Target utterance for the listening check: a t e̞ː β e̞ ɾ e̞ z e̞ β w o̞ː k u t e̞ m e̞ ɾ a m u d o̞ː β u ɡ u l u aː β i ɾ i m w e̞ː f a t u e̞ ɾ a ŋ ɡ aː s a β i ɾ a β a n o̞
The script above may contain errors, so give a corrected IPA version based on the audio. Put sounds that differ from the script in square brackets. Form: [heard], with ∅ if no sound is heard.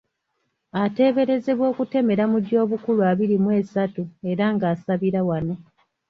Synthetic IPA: a t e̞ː β e̞ ɾ e̞ z e̞ β w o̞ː k u t e̞ m e̞ ɾ a m u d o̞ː β u [k] u l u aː β i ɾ i m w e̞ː [s] a t u e̞ ɾ a ŋ ɡ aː s a β i ɾ a [w] a n o̞